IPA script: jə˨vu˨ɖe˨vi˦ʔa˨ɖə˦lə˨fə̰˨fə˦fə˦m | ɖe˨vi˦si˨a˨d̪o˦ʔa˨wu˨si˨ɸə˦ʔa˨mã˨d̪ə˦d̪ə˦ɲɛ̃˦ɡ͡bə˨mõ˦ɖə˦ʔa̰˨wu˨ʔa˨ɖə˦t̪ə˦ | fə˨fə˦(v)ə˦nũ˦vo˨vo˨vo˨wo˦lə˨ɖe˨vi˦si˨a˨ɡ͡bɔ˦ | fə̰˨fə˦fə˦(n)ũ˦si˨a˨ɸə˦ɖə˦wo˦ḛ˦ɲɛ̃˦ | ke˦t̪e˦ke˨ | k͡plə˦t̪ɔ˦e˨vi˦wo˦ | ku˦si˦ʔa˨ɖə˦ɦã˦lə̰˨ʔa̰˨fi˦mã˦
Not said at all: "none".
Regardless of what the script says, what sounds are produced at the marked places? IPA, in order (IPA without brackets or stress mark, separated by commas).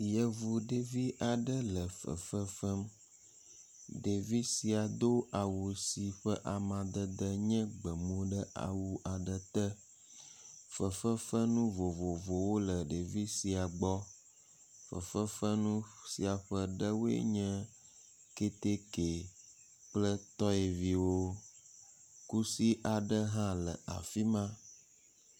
f, n